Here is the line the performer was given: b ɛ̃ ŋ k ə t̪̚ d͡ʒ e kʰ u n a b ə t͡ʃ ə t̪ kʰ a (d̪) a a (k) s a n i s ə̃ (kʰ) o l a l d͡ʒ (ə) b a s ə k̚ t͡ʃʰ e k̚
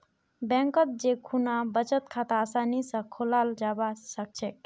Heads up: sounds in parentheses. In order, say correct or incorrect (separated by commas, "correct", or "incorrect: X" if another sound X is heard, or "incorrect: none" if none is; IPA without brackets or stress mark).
incorrect: t̪, incorrect: none, correct, incorrect: a